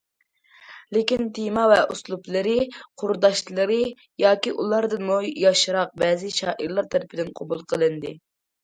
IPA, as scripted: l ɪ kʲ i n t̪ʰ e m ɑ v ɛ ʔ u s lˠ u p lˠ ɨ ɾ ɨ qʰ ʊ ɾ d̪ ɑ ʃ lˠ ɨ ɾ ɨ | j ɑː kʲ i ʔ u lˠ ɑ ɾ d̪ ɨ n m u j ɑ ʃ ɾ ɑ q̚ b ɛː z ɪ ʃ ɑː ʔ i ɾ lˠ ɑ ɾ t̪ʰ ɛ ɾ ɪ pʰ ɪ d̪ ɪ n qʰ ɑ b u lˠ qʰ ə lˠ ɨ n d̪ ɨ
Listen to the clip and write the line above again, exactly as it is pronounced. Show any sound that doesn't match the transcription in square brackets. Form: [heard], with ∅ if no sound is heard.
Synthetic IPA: l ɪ kʲ i n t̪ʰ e m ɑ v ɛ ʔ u s lˠ u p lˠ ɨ ɾ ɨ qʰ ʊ ɾ d̪ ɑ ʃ lˠ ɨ ɾ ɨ | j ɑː kʲ i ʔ u lˠ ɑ ɾ d̪ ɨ n m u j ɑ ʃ ɾ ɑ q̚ b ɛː z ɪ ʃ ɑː ʔ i ɾ lˠ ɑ ɾ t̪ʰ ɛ ɾ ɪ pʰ ɪ d̪ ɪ n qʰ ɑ b u lˠ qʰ ə lˠ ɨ n d̪ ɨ